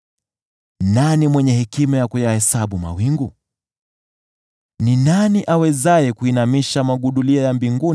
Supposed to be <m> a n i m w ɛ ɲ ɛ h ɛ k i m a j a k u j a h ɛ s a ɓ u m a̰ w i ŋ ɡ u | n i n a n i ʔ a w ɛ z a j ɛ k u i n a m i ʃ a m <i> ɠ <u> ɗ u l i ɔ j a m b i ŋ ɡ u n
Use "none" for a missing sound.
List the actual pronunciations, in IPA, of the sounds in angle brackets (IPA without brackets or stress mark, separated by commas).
n, a, u